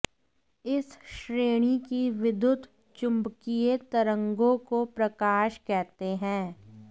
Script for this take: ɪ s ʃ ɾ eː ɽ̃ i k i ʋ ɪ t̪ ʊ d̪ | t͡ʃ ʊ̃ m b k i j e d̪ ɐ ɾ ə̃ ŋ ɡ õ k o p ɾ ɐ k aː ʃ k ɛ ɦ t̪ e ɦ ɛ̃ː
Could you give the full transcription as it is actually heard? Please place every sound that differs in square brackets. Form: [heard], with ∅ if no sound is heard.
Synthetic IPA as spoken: ɪ s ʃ ɾ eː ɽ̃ i k i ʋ ɪ [d̪] ʊ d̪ | t͡ʃ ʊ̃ m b k i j e [t̪] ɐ ɾ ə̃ ŋ ɡ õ k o p ɾ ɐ k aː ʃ k ɛ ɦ t̪ e ɦ ɛ̃ː